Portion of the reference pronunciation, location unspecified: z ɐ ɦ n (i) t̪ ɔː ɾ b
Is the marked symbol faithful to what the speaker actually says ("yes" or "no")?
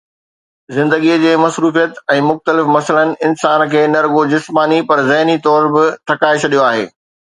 yes